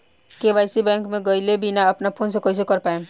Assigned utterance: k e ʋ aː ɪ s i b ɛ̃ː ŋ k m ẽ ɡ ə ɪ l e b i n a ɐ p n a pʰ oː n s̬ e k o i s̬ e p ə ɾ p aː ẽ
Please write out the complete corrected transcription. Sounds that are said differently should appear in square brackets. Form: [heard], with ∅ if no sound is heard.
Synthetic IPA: k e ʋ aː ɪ s i b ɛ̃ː ŋ k m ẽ ɡ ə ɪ l e b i n a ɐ p n a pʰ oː n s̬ e k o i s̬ e [k] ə ɾ p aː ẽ